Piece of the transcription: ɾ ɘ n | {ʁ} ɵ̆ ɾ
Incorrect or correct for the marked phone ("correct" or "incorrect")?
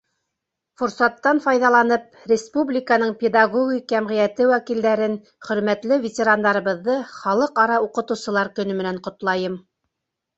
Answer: incorrect